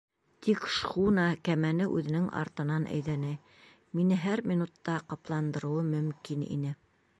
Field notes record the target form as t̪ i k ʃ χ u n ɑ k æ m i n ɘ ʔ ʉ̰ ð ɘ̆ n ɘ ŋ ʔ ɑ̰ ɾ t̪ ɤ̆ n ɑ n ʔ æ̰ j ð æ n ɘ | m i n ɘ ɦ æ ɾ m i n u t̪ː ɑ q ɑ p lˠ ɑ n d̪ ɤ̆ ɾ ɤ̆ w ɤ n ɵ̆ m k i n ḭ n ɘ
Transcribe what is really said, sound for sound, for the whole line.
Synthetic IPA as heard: t̪ i k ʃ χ u n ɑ k æ m æ n ɘ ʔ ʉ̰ ð ɘ̆ n ɘ ŋ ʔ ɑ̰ ɾ t̪ ɤ̆ n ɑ n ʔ æ̰ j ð æ n ɘ | m i n ɘ ɦ æ ɾ m i n u t̪ː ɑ q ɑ p lˠ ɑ n d̪ ɤ̆ ɾ ɤ̆ w ɤ m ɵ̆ m k i n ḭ n ɘ